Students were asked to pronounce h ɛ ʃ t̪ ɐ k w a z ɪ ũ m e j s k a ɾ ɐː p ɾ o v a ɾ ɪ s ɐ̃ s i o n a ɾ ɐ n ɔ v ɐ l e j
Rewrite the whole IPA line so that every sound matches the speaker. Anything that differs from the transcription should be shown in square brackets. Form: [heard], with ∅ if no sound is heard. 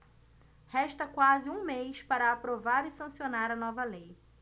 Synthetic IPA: h ɛ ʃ t̪ ɐ k w a z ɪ ũ m e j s [p] a ɾ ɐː p ɾ o v a ɾ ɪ s ɐ̃ s i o n a ɾ ɐ n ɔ v ɐ l e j

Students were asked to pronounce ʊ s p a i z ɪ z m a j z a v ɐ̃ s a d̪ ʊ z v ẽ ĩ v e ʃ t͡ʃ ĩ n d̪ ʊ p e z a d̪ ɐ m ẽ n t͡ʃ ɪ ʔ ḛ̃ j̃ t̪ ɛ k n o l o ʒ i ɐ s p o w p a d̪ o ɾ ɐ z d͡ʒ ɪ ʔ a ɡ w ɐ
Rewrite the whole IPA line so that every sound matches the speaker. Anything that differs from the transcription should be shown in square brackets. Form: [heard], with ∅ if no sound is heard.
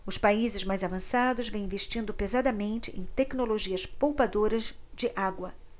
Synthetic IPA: ʊ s p a i z ɪ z m a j z a v ɐ̃ s a d̪ ʊ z v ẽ ĩ v e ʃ t͡ʃ ĩ n d̪ ʊ p e z a d̪ ɐ m ẽ n t͡ʃ ɪ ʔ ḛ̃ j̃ t̪ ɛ k n o l o ʒ i ɐ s p o w p a d̪ o ɾ ɐ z d͡ʒ ɪ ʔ a ɡ w ɐ

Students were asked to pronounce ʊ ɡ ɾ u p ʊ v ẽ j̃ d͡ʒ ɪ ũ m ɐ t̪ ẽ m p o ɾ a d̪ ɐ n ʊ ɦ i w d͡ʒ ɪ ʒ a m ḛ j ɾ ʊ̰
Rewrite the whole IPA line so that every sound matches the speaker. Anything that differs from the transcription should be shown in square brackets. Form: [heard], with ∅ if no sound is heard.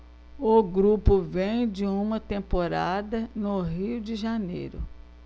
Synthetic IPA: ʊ ɡ ɾ u p ʊ v ẽ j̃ d͡ʒ ɪ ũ m ɐ t̪ ẽ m p o ɾ a d̪ ɐ n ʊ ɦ i w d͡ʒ ɪ ʒ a [n] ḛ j ɾ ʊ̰

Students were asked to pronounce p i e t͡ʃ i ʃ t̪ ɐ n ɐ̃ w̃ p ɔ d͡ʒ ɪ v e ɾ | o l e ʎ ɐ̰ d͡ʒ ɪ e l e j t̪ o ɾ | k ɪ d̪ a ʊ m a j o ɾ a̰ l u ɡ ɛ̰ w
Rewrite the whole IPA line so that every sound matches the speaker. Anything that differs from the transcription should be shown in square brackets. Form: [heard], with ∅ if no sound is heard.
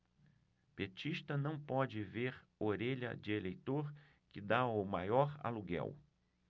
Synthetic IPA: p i e t͡ʃ i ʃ t̪ ɐ n ɐ̃ w̃ p ɔ d͡ʒ ɪ v e ɾ | o [ɾ] e ʎ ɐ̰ d͡ʒ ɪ e l e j t̪ o ɾ | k ɪ d̪ a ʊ m a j [ɔ] ɾ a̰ l u ɡ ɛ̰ w

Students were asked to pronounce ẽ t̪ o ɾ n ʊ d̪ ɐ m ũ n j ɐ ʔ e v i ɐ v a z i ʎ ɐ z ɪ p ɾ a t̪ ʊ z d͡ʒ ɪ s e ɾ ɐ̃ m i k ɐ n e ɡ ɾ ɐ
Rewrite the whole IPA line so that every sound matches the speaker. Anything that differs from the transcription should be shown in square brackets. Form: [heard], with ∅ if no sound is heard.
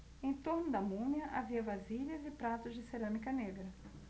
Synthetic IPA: ẽ t̪ o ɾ n ʊ d̪ ɐ m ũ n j ɐ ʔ [a] v i ɐ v a z i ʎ ɐ z ɪ p ɾ a t̪ ʊ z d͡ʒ ɪ s e ɾ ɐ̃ m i k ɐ n e ɡ ɾ ɐ

